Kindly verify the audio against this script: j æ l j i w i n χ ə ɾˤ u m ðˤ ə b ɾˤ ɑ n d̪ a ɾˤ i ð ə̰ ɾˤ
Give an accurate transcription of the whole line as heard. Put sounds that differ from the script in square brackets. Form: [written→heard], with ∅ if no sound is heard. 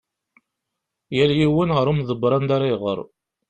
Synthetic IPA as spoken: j æ l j i w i n [χ→ʁ] ə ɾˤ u m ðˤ ə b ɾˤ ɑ n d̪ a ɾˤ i [ð→ʁ] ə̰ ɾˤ

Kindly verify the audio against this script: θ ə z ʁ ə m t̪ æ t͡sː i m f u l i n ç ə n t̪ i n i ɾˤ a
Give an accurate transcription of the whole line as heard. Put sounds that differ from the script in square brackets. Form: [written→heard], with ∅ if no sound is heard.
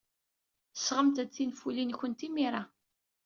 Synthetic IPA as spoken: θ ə [z→s] ʁ ə m t̪ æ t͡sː i [m→n] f u l i n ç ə n t̪ i [n→m] i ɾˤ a

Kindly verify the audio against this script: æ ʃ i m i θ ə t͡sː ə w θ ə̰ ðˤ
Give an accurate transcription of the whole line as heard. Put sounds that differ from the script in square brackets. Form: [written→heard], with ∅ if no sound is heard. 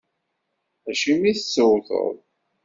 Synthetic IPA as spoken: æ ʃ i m i θ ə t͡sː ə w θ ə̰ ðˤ

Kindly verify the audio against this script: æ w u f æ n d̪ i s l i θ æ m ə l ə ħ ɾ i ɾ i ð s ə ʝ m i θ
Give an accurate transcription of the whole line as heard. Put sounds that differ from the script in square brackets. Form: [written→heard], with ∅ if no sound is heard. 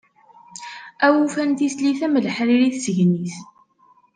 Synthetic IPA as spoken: æ w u f æ n [d̪→t̪] i s l i θ æ m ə l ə ħ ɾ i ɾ i [ð→θ] s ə ʝ [m→n] i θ

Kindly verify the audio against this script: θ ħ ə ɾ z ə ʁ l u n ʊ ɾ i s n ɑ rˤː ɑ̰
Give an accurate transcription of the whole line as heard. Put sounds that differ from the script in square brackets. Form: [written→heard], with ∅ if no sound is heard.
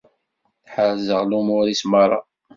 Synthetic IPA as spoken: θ ħ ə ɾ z ə ʁ l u [n→m] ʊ ɾ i s [n→m] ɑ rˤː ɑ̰

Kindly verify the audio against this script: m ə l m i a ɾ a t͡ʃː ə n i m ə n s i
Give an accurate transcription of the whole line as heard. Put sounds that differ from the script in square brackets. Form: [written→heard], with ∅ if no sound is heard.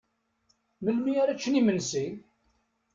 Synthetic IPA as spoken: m ə l m i a ɾ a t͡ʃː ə n i m ə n s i

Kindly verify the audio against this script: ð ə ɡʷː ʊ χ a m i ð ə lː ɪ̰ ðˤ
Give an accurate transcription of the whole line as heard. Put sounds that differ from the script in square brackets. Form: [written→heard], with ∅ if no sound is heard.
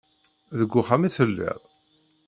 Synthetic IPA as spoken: ð ə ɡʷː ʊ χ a m i [ð→θ] ə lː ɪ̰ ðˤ

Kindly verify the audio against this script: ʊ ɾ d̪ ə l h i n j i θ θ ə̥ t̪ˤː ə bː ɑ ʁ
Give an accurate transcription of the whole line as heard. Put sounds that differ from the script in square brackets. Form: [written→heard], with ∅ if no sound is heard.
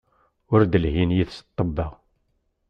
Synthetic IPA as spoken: ʊ ɾ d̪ ə l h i n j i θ [θ→s] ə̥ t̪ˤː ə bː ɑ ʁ

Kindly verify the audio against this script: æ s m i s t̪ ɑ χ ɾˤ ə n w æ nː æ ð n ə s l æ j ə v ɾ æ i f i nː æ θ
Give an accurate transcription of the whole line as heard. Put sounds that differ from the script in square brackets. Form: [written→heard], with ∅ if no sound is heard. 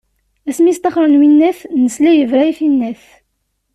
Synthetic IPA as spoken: æ s m i s t̪ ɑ χ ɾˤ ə n w [æ→i] nː æ [ð→θ] n ə s l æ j ə v ɾ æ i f i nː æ θ

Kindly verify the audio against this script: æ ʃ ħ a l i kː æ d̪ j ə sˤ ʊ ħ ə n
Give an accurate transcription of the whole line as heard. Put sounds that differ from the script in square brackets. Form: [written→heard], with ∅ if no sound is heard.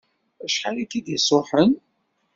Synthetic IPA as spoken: æ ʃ ħ a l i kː [æ→i] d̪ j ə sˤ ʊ ħ ə n

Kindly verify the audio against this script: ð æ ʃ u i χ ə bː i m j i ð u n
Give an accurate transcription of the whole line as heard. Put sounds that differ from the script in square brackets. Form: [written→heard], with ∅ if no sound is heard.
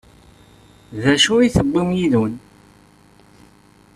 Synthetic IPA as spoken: ð æ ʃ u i [χ→θ] ə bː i m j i ð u n

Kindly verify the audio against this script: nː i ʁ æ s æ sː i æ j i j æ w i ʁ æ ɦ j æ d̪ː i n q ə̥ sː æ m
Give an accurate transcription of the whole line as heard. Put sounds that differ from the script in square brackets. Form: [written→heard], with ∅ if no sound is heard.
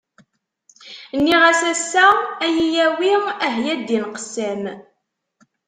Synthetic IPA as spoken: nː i ʁ æ s æ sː [i→æ] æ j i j æ w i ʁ æ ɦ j æ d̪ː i n q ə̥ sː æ m

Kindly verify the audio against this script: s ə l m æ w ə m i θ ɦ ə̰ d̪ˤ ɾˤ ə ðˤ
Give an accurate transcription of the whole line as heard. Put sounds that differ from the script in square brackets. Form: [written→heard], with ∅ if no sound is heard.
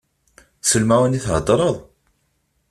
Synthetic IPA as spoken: s ə l m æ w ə [m→n] i θ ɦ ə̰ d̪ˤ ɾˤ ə ðˤ

